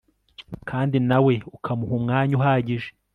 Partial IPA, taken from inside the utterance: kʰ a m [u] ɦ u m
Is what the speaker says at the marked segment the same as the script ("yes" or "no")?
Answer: yes